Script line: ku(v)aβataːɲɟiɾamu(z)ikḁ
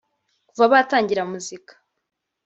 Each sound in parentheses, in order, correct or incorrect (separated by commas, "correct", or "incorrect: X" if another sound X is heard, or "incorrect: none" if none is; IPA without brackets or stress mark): correct, correct